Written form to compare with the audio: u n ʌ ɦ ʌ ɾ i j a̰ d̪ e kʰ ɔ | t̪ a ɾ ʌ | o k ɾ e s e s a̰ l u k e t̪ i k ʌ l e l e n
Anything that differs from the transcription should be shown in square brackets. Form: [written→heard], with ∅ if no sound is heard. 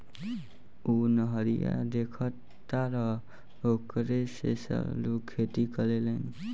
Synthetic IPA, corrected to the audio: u n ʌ ɦ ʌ ɾ i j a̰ d̪ e kʰ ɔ | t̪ a ɾ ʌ | o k ɾ e s e s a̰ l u [k→kʰ] e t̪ i k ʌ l e l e n